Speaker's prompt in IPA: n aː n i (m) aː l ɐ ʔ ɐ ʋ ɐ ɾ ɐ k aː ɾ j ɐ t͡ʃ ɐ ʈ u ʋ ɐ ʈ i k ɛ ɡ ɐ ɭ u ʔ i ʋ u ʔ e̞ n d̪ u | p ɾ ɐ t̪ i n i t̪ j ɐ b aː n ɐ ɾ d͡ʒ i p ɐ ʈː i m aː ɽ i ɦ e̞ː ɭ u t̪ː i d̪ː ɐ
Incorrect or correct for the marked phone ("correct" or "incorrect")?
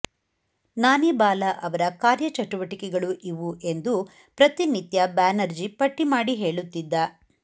incorrect